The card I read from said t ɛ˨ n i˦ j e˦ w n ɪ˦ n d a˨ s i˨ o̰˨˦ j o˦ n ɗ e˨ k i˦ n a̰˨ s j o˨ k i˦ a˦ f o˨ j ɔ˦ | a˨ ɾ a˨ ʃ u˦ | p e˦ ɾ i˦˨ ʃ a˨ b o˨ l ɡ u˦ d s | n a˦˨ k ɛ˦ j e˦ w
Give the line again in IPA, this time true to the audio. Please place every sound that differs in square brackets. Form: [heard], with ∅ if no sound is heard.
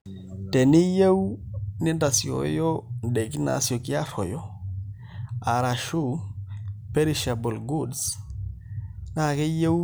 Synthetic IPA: t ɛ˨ n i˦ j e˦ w n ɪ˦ n d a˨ s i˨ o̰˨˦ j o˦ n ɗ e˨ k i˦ n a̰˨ s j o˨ k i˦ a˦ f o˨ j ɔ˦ | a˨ ɾ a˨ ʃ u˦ | p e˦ ɾ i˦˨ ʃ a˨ b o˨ l ɡ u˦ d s | n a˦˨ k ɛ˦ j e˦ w